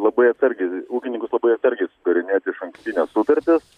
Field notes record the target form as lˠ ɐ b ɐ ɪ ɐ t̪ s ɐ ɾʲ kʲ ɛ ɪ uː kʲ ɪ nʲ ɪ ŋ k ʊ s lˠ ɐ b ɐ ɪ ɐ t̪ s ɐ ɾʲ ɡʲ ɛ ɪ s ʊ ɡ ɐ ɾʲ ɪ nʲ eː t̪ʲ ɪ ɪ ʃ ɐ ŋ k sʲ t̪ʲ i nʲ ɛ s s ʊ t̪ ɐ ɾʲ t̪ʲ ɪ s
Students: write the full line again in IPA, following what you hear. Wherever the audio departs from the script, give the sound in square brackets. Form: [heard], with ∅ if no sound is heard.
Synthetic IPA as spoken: lˠ ɐ b ɐ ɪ ɐ t̪ s ɐ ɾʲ [ɡʲ] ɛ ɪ uː kʲ ɪ nʲ ɪ ŋ k ʊ s lˠ ɐ b ɐ ɪ ɐ t̪ s ɐ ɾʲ ɡʲ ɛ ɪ s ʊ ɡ ɐ ɾʲ ɪ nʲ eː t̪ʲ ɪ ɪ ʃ ɐ ŋ k sʲ t̪ʲ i nʲ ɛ s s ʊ t̪ ɐ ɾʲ t̪ʲ ɪ s